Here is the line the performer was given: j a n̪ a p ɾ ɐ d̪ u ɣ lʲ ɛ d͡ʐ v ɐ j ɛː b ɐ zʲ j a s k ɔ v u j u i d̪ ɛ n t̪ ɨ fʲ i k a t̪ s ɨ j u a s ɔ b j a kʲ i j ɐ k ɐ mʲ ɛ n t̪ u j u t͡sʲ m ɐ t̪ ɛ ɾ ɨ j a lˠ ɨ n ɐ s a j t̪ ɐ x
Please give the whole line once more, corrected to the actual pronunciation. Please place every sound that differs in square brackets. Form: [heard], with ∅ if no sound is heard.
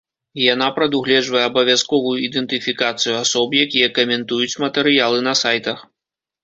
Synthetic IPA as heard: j a n̪ a p ɾ ɐ d̪ u ɣ lʲ ɛ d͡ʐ v ɐ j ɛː b ɐ [vʲ] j a s k ɔ v u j u i d̪ ɛ n t̪ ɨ fʲ i k a t̪ s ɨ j u a s ɔ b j a kʲ i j ɐ k ɐ mʲ ɛ n t̪ u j u t͡sʲ m ɐ t̪ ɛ ɾ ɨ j a lˠ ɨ n ɐ s a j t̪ ɐ x